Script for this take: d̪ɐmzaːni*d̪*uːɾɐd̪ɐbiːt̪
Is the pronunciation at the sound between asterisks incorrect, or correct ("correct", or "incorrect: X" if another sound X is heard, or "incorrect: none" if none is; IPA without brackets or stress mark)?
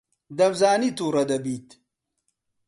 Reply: incorrect: t̪